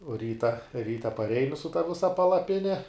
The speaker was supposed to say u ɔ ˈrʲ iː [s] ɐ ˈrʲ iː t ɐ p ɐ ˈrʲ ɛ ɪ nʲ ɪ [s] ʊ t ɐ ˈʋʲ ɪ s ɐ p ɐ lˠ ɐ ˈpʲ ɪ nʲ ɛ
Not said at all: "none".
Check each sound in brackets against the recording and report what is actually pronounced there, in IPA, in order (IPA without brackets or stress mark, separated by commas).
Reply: t, s